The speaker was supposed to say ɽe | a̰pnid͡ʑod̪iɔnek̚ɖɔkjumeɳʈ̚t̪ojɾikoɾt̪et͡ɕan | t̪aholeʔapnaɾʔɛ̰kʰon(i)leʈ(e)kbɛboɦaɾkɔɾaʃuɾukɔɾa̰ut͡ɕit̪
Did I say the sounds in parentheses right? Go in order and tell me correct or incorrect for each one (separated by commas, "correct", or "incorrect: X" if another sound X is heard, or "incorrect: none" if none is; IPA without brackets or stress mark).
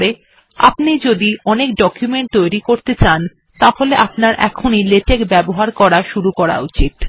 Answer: correct, correct